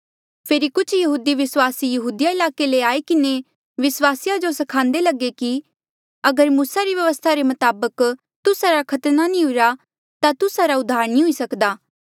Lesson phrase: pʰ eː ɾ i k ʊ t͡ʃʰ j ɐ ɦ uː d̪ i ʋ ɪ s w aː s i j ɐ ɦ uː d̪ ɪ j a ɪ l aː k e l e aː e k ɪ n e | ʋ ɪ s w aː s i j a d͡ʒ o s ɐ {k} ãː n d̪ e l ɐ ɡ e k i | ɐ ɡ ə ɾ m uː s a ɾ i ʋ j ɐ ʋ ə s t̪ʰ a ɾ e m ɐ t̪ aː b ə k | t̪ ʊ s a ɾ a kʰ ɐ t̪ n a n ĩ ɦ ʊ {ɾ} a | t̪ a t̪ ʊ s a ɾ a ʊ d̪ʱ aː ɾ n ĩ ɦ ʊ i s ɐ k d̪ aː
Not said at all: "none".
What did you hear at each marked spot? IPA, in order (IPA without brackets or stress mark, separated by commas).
kʰ, ɾ